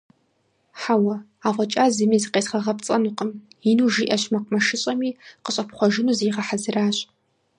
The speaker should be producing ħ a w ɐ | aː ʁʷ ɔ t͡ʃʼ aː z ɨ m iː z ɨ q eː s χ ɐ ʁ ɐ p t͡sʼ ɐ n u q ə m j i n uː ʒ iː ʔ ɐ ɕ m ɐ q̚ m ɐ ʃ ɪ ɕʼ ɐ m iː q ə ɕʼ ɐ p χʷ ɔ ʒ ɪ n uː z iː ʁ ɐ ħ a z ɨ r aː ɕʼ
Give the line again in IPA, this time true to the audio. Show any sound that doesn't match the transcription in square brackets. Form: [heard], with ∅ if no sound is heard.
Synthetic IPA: ħ a w ɐ | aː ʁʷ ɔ t͡ʃʼ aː z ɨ m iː z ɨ q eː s χ ɐ ʁ ɐ p t͡sʼ ɐ n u q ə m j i n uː ʒ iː ʔ ɐ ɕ m ɐ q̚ m ɐ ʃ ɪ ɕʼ ɐ m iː q ə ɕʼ ɐ p χʷ ɔ ʒ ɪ n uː z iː ʁ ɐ ħ a z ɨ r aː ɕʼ